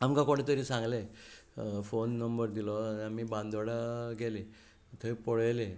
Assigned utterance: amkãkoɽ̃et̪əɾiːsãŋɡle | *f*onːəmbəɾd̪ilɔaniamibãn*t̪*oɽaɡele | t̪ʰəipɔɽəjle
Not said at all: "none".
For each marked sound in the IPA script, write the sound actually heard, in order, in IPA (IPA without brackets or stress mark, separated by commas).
f, d̪